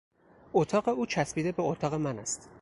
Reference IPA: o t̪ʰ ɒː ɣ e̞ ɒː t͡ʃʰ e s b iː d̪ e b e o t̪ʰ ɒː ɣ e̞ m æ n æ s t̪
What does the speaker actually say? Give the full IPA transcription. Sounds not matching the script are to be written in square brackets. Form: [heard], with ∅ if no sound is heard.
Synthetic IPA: o t̪ʰ ɒː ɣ e̞ [uː] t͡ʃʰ [æ] s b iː d̪ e b e o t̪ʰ ɒː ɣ e̞ m æ n æ s t̪